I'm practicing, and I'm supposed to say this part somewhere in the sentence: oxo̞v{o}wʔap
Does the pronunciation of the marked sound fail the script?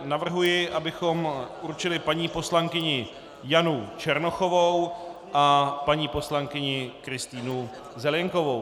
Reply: no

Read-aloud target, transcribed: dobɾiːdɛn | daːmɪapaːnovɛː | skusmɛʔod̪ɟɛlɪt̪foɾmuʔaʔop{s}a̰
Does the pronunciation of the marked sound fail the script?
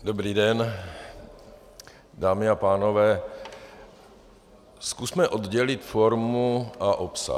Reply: no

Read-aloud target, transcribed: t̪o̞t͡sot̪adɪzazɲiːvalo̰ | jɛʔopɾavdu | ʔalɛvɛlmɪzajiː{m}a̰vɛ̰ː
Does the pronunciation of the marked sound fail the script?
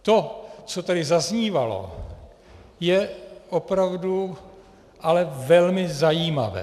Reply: no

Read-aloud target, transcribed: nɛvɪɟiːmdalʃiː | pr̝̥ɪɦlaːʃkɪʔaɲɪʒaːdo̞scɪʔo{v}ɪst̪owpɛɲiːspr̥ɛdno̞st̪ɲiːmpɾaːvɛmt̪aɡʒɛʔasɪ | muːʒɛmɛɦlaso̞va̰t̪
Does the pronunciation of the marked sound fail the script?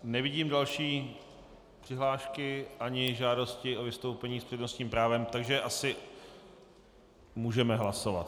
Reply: no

